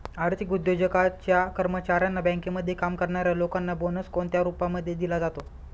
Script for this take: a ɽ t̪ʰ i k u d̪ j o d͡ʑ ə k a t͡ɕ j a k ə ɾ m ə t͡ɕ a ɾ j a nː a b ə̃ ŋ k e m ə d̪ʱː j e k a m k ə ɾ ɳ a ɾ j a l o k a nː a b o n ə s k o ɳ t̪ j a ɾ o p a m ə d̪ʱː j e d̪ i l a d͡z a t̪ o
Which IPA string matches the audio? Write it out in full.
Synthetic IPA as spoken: a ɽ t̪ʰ i k u d̪ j o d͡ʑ ə k a t͡ɕ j a k ə ɾ m ə t͡ɕ a ɾ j a nː a b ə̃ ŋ k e m ə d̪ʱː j e k a m k ə ɾ ɳ a ɾ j a l o k a nː a b o n ə s k o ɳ t̪ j a ɾ u p a m ə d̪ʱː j e d̪ i l a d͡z a t̪ o